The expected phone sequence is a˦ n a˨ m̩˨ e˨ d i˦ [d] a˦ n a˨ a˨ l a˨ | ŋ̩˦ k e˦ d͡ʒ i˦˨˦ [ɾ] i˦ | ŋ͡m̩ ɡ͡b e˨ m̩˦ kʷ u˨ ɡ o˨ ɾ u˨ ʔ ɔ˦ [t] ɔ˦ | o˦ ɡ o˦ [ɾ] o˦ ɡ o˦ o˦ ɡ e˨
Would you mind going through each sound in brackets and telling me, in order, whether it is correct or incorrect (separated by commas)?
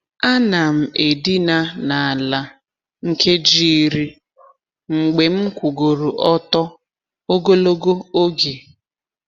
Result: incorrect, correct, correct, incorrect